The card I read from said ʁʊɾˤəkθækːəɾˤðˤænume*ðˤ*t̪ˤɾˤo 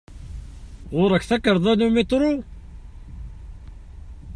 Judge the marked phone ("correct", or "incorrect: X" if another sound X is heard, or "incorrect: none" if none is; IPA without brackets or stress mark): incorrect: none